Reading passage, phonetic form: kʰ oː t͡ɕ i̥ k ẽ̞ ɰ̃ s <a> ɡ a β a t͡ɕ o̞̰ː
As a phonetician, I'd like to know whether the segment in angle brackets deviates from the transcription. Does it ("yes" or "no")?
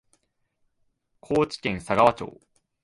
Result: no